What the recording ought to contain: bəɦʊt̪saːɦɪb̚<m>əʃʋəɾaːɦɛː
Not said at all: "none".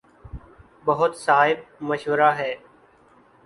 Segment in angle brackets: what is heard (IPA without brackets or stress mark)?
m